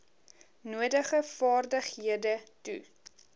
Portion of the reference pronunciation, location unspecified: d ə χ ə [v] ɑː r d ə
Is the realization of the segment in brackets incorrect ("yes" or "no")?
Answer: yes